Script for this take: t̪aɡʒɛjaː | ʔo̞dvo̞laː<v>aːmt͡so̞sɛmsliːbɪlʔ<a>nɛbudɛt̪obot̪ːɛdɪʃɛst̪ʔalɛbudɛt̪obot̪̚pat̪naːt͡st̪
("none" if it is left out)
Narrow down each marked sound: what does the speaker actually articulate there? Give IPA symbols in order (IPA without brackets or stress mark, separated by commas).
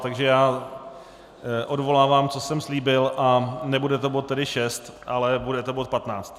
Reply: v, a